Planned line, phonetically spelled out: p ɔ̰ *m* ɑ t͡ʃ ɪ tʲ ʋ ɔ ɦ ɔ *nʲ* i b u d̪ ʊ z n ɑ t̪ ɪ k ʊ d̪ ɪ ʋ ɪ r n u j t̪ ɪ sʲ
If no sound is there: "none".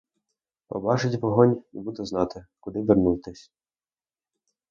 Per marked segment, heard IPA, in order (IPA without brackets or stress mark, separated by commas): b, nʲ